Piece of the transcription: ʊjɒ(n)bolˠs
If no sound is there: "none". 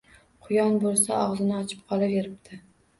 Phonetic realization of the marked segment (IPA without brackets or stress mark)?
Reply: n